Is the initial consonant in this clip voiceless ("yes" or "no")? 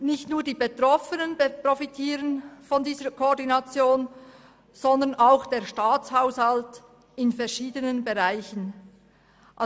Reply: no